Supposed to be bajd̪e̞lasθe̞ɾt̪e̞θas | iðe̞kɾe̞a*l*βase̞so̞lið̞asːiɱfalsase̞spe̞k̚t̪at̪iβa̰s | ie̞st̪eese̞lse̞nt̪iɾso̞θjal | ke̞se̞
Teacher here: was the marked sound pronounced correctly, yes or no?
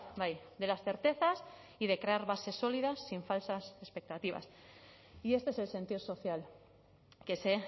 no